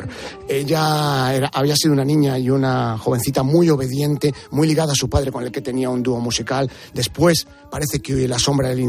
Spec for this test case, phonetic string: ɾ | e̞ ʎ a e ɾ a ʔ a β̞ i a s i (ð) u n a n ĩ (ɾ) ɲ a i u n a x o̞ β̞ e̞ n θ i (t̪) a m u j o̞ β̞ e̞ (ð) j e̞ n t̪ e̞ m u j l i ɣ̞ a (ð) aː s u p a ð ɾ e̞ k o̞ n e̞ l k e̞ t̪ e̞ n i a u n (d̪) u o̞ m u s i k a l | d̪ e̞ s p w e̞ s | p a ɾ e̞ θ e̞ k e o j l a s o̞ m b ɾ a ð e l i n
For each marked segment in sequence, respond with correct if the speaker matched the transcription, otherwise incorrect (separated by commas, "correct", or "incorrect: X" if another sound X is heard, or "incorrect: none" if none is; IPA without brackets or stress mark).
correct, incorrect: none, correct, correct, correct, correct